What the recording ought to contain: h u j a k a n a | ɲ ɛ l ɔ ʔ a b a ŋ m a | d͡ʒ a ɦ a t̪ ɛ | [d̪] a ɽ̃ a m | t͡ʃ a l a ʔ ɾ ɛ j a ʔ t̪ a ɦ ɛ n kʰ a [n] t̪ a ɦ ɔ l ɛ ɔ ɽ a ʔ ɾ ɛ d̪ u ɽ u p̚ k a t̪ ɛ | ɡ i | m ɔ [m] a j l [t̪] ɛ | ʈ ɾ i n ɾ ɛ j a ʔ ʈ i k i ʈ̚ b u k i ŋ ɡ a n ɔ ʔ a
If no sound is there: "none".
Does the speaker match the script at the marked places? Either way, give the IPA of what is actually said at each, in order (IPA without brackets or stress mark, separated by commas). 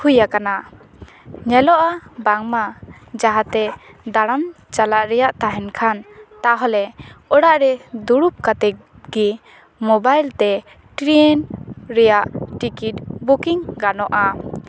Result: d̪, n, b, t̪